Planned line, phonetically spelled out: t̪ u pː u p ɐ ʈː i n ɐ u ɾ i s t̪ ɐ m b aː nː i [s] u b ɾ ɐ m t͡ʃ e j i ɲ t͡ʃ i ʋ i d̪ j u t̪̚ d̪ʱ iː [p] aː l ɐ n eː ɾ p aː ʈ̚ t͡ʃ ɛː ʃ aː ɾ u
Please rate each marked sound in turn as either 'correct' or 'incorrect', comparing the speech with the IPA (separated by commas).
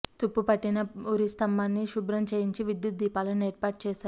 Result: incorrect, correct